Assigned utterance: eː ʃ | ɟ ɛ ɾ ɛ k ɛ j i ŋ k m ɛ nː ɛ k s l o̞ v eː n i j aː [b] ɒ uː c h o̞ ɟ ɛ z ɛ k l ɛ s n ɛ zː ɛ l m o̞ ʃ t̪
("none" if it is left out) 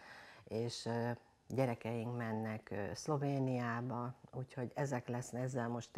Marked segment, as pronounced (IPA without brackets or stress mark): b